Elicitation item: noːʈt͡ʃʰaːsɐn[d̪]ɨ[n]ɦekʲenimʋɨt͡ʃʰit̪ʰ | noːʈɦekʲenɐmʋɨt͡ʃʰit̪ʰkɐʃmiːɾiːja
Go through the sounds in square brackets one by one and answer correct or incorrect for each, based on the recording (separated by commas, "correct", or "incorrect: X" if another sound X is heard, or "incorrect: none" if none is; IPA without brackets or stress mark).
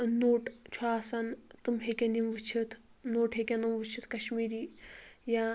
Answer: incorrect: t̪, incorrect: m